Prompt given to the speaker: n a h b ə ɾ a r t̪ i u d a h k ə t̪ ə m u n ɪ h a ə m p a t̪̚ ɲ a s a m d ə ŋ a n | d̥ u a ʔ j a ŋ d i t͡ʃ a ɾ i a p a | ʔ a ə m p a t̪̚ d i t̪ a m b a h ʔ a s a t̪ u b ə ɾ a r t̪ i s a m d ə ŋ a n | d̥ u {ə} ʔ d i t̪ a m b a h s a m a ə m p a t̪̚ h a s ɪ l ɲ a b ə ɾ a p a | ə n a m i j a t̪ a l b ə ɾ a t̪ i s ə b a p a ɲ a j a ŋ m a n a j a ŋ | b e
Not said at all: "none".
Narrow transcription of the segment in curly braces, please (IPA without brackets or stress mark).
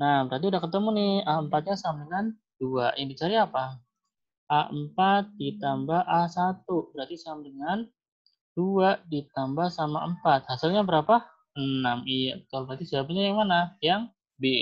a